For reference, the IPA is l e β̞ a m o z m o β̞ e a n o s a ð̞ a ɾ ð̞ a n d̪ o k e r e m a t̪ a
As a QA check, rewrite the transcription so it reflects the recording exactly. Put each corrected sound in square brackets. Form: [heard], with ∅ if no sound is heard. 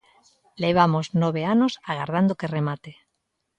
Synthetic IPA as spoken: l e β̞ a m o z [n] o β̞ e a n o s a [ɣ̞] a ɾ ð̞ a n d̪ o k e r e m a t̪ [e]

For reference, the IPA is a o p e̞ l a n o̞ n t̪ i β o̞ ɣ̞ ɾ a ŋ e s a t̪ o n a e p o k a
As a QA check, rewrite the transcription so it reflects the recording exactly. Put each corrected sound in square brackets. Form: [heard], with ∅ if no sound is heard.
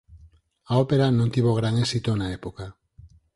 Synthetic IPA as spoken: a o p e̞ [ɾ] a n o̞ n t̪ i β o̞ ɣ̞ ɾ a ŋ e s [i] t̪ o n a e p o k a

